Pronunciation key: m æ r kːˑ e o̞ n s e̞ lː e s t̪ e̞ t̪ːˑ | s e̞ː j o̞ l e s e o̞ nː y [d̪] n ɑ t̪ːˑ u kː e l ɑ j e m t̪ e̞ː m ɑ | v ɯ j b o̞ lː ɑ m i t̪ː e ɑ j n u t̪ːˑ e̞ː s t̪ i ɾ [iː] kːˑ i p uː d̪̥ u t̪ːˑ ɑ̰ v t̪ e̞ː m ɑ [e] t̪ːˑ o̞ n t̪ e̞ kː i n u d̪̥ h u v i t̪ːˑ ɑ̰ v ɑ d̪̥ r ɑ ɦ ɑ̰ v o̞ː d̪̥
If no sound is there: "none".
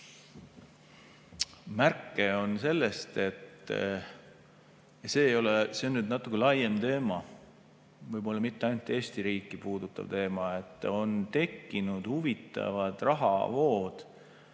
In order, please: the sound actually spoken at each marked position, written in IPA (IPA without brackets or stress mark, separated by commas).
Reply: d̪, iː, e